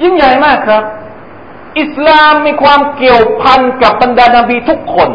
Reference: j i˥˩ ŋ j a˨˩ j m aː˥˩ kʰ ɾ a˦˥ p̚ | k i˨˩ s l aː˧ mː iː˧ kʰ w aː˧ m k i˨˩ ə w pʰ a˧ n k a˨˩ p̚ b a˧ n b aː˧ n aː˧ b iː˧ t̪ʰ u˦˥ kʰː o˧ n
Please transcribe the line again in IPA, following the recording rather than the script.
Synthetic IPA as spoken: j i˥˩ ŋ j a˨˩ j m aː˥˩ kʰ ɾ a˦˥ p̚ | ʔ i˨˩ s l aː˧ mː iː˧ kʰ w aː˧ m k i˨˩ ə w pʰ a˧ n k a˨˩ p̚ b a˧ n d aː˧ n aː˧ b iː˧ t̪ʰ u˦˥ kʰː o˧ n